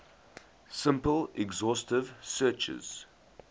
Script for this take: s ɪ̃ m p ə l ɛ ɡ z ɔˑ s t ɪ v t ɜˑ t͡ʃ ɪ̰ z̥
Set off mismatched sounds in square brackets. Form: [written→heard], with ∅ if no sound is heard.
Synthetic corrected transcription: s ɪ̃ m p ə l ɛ ɡ z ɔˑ s t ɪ v [t→s] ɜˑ t͡ʃ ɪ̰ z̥

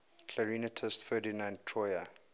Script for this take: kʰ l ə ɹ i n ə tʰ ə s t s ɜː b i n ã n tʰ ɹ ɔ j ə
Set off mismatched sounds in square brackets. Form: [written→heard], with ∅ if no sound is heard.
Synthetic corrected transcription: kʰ l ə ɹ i n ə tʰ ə s t [s→f] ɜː [b→d] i n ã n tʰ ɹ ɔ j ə

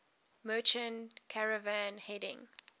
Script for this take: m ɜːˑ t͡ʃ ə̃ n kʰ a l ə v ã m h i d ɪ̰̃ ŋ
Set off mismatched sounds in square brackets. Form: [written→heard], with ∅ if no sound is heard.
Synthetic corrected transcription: m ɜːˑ t͡ʃ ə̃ n kʰ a [l→ɹ] ə v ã [m→n] h [i→ɛ] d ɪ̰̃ ŋ

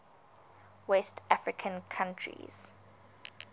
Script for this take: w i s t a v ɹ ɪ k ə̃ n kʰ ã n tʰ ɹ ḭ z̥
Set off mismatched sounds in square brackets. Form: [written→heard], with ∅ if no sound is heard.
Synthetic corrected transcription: w [i→ɛ] s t a [v→f] ɹ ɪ [k→kʰ] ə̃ n kʰ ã n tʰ ɹ ḭ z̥

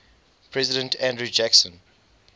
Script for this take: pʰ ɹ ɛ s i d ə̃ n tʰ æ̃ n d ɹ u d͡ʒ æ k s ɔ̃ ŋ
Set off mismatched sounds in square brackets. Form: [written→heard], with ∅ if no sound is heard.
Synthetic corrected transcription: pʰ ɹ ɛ [s→z] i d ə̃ n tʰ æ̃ n d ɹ u d͡ʒ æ k s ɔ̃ [ŋ→n]

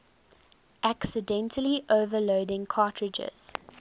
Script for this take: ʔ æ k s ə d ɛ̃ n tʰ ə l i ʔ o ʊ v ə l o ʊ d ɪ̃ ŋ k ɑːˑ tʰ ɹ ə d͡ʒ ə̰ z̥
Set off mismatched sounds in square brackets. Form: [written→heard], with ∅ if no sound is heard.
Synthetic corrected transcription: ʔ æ k s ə d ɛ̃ n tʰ ə l i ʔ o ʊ v ə l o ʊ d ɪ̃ ŋ [k→kʰ] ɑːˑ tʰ ɹ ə d͡ʒ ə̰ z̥

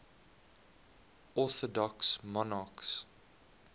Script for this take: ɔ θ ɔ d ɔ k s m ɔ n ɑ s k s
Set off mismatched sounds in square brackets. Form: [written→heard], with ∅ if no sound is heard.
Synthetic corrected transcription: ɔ θ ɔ d ɔ k s m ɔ n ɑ [s→∅] k s

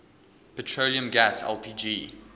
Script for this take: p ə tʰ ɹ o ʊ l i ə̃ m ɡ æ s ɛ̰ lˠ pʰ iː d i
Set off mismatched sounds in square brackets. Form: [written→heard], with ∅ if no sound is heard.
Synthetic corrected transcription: p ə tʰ ɹ o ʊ l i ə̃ m ɡ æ s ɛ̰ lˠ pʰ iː [d→d͡ʒ] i

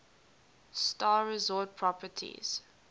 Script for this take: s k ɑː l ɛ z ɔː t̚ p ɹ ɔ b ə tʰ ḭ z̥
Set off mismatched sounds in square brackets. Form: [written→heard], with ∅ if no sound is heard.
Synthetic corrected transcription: s [k→t] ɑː [l→ɹ] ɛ z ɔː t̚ [p→pʰ] ɹ ɔ [b→p] ə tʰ ḭ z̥

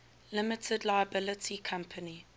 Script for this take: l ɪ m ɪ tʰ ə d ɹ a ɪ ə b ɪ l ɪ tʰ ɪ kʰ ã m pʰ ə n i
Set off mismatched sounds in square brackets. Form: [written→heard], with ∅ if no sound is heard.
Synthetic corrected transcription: l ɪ m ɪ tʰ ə d [ɹ→l] a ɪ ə b ɪ l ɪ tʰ [ɪ→i] kʰ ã m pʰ ə n i

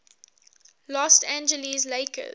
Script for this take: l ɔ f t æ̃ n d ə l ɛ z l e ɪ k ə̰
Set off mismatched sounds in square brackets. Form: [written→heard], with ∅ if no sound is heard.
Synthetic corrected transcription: l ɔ [f→s] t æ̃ n [d→d͡ʒ] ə l [ɛ→i] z l e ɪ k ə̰

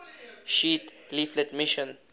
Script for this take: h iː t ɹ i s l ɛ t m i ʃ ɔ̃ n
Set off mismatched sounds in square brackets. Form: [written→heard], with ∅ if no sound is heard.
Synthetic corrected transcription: [h→ʃ] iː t [ɹ→l] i [s→f] l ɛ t m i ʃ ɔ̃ n

